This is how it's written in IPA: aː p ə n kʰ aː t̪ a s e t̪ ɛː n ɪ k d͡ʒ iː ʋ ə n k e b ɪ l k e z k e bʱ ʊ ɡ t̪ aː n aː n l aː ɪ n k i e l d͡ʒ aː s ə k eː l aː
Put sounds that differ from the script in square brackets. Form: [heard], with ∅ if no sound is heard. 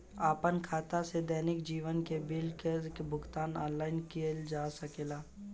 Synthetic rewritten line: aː p ə n kʰ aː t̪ a s e [d̪] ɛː n ɪ k d͡ʒ iː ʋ ə n k e b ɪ l k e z k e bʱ ʊ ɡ t̪ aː n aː n l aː ɪ n k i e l d͡ʒ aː s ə k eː l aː